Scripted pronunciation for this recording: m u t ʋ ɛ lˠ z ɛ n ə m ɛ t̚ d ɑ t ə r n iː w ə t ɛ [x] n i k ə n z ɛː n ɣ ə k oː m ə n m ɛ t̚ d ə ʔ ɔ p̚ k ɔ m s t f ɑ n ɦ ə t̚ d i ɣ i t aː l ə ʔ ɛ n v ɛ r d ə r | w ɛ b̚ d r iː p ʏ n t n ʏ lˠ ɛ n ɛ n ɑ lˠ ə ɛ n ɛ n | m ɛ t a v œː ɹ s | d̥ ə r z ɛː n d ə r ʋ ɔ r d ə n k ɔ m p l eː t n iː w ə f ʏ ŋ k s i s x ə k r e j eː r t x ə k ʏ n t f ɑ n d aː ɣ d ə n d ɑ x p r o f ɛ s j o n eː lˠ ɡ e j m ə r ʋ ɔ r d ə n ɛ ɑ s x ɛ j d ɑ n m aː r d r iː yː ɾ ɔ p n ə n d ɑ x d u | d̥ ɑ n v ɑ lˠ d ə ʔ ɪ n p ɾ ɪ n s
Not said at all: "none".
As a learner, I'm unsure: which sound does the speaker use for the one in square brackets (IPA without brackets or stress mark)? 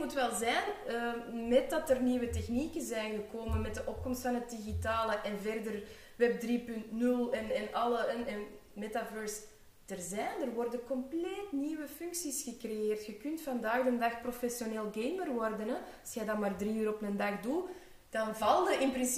x